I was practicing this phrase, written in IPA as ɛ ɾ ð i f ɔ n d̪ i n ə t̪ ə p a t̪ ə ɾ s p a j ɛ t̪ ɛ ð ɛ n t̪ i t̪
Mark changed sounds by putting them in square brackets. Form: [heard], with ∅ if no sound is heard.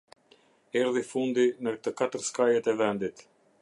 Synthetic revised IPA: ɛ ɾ ð i f [u] n d̪ i n ə t̪ ə [k] a t̪ ə ɾ s [k] a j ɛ t̪ ɛ [v] ɛ n [d̪] i t̪